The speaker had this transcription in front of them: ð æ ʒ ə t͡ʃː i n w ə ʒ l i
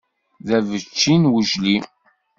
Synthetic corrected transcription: ð æ v ə t͡ʃː i n w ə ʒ l i